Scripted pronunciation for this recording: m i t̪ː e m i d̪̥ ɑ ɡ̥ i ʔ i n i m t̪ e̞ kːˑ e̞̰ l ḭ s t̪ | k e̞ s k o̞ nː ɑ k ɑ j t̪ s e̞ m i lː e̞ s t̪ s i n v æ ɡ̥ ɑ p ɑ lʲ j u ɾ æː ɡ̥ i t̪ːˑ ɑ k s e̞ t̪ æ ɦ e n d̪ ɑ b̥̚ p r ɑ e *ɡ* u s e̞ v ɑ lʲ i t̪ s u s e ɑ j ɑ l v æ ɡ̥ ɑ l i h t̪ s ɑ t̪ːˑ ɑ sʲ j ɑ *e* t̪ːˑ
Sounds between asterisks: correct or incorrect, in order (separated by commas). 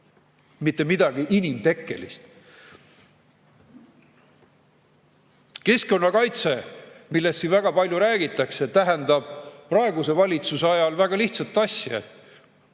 correct, correct